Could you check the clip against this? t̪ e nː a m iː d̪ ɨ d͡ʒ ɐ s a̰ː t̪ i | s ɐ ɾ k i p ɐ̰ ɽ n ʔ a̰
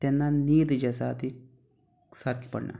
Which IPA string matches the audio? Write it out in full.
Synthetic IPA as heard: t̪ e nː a n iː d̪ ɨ d͡ʒ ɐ s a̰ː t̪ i | s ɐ ɾ k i p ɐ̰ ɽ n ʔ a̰